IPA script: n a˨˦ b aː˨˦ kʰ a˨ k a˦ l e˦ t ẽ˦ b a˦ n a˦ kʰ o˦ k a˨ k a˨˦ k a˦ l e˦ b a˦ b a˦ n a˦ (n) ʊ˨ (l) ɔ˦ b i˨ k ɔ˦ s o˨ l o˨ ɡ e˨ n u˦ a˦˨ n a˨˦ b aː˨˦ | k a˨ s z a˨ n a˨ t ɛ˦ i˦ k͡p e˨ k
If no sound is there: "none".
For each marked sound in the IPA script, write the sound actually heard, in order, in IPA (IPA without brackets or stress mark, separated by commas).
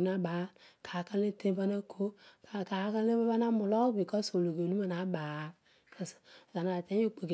m, l